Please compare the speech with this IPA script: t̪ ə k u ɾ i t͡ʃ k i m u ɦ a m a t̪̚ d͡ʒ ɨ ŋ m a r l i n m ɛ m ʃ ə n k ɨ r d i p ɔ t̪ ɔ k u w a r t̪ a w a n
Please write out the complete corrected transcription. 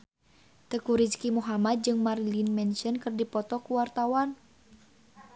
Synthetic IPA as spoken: t̪ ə k u ɾ i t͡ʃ k i m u ɦ a m a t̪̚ d͡ʒ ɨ ŋ m a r l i n m ɛ n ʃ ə n k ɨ r d i p ɔ t̪ ɔ k u w a r t̪ a w a n

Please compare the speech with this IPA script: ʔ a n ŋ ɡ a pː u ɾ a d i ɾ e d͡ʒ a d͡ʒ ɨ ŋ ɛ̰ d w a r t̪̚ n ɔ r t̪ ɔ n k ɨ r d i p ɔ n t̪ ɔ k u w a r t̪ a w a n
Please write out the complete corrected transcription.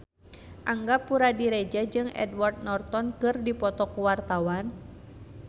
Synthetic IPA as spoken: ʔ a ŋ ɡ a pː u ɾ a d i ɾ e d͡ʒ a d͡ʒ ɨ ŋ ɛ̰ d w a r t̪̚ n ɔ r t̪ ɔ n k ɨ r d i p ɔ t̪ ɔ k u w a r t̪ a w a n

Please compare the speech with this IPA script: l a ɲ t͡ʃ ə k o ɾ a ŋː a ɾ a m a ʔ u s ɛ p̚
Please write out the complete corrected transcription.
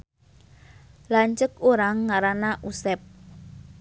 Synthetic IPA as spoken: l a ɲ t͡ʃ ə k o ɾ a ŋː a ɾ a n a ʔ u s ɛ p̚

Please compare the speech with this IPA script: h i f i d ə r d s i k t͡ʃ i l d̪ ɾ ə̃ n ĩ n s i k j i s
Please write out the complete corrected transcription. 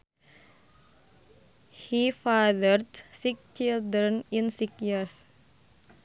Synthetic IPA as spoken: h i f a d ə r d s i k t͡ʃ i l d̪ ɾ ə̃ n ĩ n s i k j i s

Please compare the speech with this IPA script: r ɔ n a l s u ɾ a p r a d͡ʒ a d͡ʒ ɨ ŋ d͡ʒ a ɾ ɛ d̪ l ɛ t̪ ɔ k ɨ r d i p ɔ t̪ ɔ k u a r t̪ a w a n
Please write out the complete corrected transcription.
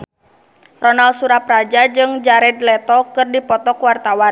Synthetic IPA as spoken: r ɔ n a l s u ɾ a p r a d͡ʒ a d͡ʒ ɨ ŋ d͡ʒ a ɾ ɛ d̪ l ɛ t̪ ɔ k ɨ r d i p ɔ t̪ ɔ k w a r t̪ a w a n

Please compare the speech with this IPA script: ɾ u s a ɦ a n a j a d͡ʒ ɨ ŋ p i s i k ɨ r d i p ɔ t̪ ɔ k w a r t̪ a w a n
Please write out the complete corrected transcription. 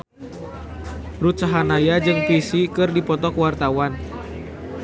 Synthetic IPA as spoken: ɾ u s a ɦ a n a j a d͡ʒ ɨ ŋ p i s i k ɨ r d i p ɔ t̪ ɔ k w a r t̪ a w a n

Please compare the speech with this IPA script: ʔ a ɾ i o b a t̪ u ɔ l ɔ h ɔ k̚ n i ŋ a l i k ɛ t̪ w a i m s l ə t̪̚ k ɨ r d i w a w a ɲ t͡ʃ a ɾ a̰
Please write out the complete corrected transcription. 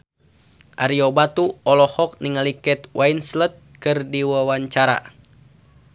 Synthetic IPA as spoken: ʔ a ɾ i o b a t̪ u ɔ l ɔ h ɔ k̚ n i ŋ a l i k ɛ t̪ w a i n s l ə t̪̚ k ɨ r d i w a w a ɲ t͡ʃ a ɾ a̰

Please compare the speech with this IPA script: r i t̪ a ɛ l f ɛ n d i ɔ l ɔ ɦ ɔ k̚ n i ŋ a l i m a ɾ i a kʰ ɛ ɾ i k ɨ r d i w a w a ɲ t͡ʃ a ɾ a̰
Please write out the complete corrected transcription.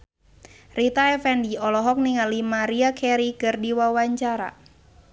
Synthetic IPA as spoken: r i t̪ a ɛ f ɛ n d i ɔ l ɔ ɦ ɔ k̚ n i ŋ a l i m a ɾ i a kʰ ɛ ɾ i k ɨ r d i w a w a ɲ t͡ʃ a ɾ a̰

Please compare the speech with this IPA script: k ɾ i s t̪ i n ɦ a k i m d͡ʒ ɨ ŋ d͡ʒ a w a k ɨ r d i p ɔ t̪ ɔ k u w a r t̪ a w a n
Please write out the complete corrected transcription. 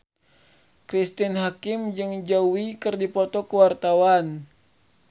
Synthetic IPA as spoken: k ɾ i s t̪ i n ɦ a k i m d͡ʒ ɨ ŋ d͡ʒ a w i k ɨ r d i p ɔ t̪ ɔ k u w a r t̪ a w a n

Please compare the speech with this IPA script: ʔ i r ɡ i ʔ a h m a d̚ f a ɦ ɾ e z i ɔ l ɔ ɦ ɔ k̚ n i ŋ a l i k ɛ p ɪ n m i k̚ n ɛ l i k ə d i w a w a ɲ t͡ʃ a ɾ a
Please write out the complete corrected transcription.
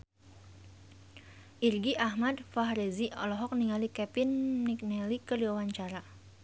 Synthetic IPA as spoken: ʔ i r ɡ i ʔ a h m a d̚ f a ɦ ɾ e z i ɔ l ɔ ɦ ɔ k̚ n i ŋ a l i k ɛ p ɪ n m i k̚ n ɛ l i k ə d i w a w a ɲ t͡ʃ a ɾ a

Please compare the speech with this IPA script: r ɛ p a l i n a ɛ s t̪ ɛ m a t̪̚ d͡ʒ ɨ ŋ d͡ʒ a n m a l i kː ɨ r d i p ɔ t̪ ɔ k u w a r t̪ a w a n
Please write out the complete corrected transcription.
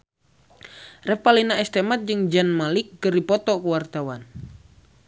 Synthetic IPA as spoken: r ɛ p a l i n a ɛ s t̪ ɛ m a t̪̚ d͡ʒ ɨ ŋ d͡ʒ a n m a l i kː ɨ r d i p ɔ t̪ ɔ k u w a r t̪ a w a n

